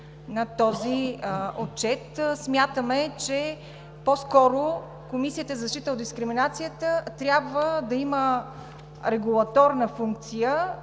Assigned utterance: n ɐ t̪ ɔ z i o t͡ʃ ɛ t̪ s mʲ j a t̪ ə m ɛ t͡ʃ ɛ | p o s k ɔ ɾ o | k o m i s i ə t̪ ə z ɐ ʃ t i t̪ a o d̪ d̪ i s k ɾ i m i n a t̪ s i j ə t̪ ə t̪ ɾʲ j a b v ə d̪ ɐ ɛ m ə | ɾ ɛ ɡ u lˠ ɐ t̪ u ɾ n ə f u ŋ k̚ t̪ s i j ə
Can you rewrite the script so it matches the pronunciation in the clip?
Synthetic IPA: n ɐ t̪ ɔ z i o t͡ʃ ɛ t̪ s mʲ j a t̪ ə m ɛ t͡ʃ ɛ | p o s k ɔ ɾ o | k o m i s i ə t̪ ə z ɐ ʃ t i t̪ ə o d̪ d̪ i s k ɾ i m i n a t̪ s i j ə t̪ ə t̪ ɾʲ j a b v ə d̪ ɐ i m ə | ɾ ɛ ɡ u lˠ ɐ t̪ ɔ ɾ n ə f u ŋ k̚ t̪ s i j ə